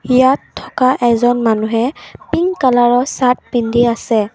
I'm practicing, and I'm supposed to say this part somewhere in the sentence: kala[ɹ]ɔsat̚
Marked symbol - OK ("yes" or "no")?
yes